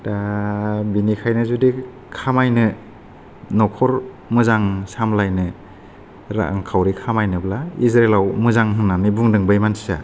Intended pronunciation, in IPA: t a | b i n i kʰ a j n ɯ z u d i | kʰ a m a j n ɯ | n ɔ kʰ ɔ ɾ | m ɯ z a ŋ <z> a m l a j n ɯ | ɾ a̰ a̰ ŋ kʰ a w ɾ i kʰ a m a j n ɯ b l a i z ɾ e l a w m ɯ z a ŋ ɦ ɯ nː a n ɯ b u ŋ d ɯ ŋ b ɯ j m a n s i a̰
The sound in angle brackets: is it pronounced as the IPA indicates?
no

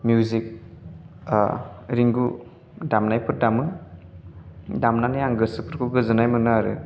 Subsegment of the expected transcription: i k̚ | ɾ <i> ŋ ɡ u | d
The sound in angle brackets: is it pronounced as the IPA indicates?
yes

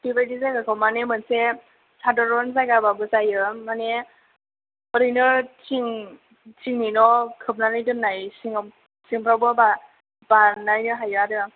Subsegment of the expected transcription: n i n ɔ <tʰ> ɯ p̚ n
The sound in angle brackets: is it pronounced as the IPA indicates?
no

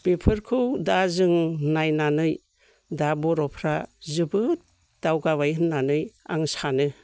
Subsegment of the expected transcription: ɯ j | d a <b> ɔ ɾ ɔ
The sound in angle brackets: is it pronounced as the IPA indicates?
yes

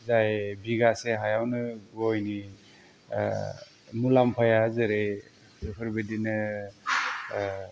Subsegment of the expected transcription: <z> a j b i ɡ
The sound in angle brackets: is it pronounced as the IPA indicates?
yes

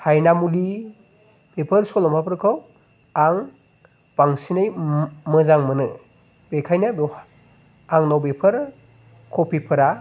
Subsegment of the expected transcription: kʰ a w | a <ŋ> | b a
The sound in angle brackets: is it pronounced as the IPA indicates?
yes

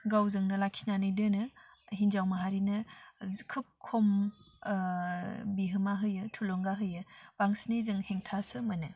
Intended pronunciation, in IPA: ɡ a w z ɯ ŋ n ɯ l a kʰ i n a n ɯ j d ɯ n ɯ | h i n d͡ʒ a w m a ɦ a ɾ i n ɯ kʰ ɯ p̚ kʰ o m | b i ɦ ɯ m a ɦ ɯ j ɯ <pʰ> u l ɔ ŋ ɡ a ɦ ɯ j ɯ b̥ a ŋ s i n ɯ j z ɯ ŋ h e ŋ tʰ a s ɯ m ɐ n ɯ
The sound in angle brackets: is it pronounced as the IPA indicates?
no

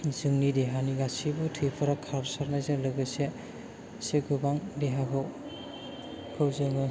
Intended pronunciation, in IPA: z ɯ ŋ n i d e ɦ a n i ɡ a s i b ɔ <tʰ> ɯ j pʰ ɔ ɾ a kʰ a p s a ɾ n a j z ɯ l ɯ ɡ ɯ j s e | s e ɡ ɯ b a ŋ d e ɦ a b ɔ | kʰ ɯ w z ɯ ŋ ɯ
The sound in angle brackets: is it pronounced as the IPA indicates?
yes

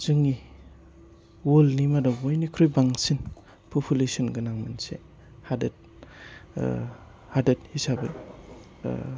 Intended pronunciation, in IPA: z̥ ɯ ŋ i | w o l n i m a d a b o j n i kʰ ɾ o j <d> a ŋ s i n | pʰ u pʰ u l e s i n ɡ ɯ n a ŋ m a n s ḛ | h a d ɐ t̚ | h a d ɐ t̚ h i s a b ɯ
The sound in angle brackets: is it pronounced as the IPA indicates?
no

